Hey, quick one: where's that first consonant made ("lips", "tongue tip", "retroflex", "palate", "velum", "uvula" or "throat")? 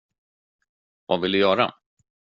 lips